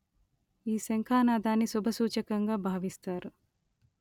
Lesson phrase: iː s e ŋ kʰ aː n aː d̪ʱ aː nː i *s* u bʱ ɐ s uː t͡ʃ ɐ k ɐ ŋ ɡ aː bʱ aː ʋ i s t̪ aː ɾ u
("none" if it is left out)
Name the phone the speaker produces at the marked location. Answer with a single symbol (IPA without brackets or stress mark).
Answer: s